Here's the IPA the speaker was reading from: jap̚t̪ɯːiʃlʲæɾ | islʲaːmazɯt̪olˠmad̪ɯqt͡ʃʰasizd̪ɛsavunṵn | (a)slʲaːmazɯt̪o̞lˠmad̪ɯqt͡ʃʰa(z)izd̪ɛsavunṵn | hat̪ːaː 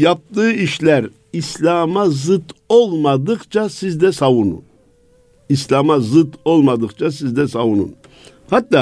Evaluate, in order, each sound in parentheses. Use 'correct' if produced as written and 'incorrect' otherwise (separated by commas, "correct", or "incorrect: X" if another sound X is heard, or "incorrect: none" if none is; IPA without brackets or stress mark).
incorrect: i, incorrect: s